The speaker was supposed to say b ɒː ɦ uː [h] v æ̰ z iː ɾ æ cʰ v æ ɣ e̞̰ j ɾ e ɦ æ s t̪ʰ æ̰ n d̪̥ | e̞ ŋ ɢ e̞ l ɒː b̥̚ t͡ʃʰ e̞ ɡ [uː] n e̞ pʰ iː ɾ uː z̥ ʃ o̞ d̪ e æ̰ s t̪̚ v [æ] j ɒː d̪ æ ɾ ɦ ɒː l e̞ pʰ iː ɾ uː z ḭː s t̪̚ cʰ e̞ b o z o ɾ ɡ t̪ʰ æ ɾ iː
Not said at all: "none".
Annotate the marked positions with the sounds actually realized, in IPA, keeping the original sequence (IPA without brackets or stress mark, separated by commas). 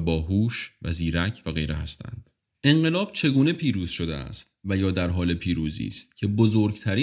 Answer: ʃ, uː, æ